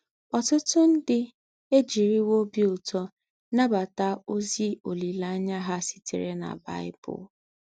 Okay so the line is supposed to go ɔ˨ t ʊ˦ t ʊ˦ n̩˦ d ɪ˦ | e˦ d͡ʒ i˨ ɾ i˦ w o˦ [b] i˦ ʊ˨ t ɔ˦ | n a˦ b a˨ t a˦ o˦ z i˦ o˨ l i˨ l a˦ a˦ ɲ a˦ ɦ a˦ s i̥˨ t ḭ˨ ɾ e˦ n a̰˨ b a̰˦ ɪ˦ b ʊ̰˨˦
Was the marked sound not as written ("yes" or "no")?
no